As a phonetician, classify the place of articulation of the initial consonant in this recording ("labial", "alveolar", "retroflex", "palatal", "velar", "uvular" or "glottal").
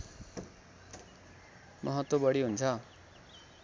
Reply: labial